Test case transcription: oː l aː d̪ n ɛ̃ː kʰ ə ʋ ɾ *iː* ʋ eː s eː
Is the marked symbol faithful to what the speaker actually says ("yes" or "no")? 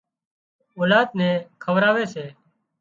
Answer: no